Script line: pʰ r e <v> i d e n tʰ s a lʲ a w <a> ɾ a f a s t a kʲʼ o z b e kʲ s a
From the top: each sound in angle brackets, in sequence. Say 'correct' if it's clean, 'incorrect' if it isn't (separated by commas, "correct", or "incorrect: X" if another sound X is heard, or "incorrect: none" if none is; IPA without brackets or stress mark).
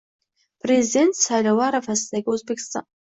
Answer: incorrect: z, correct